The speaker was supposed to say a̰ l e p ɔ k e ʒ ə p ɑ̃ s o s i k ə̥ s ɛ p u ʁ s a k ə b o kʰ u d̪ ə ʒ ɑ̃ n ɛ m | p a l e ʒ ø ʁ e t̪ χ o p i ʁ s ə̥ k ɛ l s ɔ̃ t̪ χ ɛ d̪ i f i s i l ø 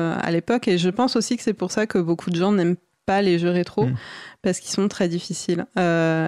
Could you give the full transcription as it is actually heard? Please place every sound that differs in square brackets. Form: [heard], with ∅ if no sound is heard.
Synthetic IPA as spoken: a̰ l e p ɔ k e ʒ ə p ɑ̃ s o s i k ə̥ s ɛ p u ʁ s a k ə b o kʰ u d̪ ə ʒ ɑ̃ n ɛ m | p a l e ʒ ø ʁ e t̪ χ o p [a] ʁ s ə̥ k [i] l s ɔ̃ t̪ χ ɛ d̪ i f i s i l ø